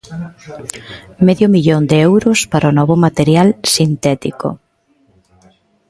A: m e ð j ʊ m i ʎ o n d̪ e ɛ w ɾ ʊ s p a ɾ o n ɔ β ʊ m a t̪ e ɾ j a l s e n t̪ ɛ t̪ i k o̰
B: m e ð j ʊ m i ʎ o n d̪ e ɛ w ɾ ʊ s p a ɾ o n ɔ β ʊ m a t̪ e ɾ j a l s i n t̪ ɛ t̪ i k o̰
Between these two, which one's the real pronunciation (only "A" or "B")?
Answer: B